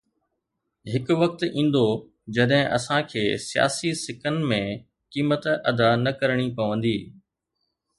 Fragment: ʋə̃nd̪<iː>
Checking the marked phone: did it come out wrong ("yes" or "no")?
no